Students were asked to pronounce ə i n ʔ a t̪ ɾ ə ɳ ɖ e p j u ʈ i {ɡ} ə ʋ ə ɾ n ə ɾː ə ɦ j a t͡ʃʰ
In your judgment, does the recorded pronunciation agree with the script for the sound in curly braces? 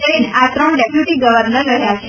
yes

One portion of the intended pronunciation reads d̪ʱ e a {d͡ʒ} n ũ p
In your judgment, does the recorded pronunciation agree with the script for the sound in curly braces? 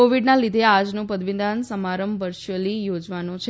yes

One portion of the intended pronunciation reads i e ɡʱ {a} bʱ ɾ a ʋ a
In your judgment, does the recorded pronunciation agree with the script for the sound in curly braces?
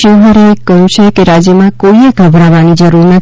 no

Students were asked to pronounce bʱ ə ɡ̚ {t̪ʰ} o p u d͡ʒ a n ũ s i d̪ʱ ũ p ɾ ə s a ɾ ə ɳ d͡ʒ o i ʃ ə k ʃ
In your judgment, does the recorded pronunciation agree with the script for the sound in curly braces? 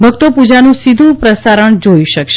no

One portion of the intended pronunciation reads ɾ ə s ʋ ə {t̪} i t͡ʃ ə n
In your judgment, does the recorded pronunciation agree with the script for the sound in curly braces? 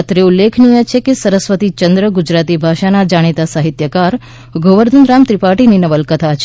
yes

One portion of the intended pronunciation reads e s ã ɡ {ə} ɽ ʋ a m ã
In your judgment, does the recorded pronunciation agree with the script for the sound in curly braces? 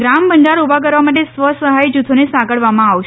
yes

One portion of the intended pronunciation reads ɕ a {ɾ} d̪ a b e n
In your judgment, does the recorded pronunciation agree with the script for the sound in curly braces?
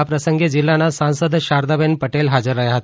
yes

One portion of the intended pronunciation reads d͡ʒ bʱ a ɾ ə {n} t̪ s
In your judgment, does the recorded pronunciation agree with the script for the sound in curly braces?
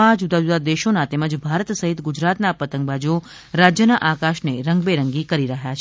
no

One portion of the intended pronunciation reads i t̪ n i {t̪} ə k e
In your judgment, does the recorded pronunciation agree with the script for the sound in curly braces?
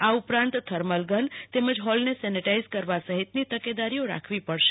yes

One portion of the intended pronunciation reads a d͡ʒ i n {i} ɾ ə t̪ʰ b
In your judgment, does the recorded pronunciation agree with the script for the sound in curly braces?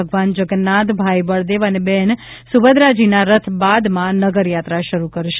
no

